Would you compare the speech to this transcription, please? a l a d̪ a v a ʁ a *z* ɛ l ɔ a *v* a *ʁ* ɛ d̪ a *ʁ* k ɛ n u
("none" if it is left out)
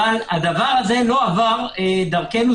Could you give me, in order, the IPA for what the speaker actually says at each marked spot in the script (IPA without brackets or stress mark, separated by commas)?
z, v, ʁ, ʁ